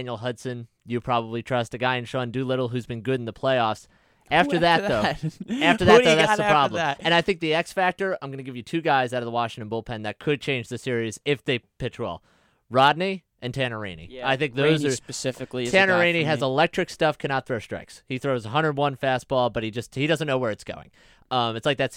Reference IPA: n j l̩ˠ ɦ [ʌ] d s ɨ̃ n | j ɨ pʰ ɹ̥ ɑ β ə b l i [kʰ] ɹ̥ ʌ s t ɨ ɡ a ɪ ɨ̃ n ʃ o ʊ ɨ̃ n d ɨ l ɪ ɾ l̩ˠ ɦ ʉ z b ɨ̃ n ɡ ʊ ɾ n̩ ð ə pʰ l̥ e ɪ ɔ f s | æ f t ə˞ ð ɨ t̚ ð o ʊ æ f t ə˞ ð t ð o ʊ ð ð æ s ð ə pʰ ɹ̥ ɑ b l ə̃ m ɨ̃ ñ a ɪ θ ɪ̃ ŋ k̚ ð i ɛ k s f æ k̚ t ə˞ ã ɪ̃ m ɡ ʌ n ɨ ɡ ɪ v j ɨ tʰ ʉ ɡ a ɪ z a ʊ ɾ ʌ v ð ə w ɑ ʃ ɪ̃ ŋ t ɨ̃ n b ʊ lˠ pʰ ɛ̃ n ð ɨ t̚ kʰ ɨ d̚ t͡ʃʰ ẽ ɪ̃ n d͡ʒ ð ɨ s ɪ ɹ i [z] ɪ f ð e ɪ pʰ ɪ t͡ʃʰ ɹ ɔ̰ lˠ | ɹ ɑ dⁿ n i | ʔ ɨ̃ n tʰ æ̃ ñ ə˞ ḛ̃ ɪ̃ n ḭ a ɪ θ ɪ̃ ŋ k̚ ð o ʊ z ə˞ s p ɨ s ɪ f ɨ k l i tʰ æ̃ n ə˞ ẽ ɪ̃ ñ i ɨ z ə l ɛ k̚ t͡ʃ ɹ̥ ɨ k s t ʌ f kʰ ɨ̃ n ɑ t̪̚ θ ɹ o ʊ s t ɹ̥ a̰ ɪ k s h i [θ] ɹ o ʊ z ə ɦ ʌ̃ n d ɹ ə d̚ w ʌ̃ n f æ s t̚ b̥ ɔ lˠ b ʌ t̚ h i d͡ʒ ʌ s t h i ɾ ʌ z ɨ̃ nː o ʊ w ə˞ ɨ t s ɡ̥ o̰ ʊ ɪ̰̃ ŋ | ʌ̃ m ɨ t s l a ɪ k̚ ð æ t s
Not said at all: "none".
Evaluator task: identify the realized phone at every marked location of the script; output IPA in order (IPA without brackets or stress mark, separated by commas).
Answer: ʌ, tʰ, z, θ